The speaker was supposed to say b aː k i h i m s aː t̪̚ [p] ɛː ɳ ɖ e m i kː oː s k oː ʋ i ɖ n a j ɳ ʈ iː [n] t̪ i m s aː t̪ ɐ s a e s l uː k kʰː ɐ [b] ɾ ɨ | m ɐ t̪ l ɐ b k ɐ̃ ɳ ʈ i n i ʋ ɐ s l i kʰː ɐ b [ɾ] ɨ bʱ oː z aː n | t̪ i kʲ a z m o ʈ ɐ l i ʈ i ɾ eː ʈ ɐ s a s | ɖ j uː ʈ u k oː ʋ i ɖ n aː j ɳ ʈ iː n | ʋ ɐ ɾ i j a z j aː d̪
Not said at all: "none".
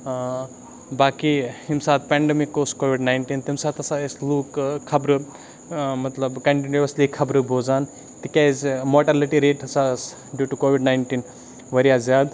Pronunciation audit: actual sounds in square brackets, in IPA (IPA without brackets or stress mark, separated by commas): p, n, b, ɾ